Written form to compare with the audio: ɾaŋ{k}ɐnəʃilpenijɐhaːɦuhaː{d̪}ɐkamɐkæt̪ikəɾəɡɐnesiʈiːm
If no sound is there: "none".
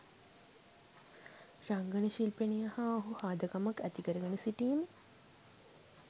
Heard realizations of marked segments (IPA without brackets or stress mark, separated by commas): ɡ, d̪